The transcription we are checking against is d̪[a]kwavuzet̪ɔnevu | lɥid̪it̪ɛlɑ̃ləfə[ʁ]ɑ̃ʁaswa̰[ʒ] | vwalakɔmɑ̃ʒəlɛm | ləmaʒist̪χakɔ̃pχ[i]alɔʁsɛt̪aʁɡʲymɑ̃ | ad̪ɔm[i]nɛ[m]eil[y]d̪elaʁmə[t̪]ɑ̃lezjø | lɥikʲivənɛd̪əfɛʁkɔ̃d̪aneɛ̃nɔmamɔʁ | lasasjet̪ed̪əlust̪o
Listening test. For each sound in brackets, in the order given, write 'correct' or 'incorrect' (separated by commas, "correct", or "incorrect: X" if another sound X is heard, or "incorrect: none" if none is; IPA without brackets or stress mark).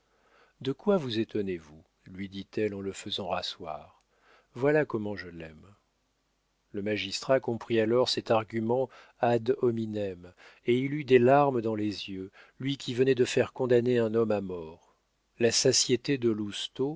incorrect: ə, incorrect: z, incorrect: ʁ, correct, correct, correct, correct, incorrect: d̪